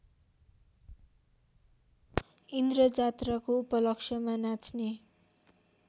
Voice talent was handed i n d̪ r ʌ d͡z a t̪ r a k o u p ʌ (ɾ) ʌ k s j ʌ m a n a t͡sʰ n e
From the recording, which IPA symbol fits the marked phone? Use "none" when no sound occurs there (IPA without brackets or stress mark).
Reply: l